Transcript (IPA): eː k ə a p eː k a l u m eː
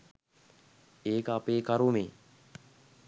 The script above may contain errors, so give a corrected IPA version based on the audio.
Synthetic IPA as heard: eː k ə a p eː k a ɾ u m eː